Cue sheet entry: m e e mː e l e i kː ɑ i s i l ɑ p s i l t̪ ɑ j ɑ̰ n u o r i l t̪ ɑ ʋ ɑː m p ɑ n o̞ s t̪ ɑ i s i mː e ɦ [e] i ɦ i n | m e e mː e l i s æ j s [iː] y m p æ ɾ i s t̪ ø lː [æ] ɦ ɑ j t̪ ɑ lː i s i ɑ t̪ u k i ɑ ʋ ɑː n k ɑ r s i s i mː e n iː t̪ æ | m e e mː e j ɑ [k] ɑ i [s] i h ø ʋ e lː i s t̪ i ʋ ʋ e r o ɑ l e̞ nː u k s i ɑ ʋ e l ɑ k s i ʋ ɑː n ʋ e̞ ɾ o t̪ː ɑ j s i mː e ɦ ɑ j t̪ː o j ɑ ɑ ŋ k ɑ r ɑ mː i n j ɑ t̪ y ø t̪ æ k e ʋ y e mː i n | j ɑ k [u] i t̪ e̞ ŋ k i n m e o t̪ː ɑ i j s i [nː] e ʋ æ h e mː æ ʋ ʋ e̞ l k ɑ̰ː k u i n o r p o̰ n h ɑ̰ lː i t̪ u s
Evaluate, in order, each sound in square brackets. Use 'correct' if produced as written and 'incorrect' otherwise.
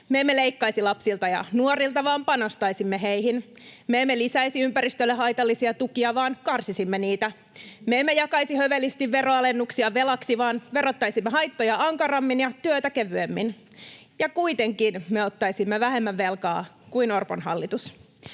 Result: correct, incorrect: i, incorrect: e, correct, correct, correct, incorrect: mː

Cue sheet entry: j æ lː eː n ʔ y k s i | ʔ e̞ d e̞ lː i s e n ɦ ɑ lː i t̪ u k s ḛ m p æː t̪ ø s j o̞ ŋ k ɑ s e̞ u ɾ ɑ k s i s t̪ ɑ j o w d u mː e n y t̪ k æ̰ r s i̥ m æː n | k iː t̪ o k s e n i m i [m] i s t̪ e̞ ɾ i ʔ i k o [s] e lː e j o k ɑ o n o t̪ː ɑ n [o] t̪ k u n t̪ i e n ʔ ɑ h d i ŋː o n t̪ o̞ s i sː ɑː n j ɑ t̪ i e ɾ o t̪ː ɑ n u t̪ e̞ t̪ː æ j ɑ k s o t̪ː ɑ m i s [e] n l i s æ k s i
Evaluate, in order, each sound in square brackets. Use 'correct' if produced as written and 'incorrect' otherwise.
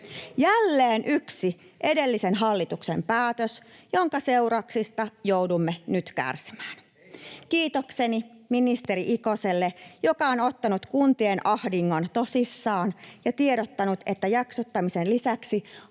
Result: incorrect: n, correct, incorrect: u, correct

